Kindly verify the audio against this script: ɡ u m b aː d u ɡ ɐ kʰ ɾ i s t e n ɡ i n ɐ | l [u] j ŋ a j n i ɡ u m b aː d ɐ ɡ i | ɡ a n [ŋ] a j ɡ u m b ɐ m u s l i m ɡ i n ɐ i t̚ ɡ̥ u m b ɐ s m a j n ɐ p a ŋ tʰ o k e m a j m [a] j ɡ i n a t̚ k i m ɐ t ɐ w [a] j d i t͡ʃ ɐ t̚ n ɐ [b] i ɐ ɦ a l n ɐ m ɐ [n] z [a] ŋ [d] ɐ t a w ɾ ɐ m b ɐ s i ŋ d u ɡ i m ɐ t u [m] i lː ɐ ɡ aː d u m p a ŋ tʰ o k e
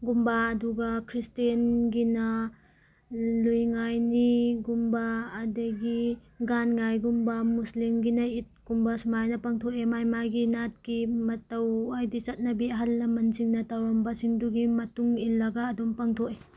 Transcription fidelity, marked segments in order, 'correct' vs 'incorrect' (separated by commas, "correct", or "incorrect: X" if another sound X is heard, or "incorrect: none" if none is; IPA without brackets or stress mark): correct, correct, correct, correct, correct, correct, incorrect: i, incorrect: n, incorrect: ŋ